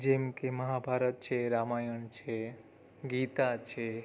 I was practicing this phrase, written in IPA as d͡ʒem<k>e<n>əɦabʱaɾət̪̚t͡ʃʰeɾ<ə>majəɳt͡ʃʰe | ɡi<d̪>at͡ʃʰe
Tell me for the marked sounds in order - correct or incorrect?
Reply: correct, incorrect, incorrect, incorrect

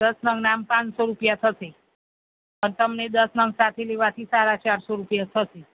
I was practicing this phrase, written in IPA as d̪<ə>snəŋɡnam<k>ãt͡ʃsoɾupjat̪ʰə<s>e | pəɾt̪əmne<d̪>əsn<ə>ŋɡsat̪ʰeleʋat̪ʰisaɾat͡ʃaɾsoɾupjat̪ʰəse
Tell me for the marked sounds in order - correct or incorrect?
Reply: correct, incorrect, correct, correct, correct

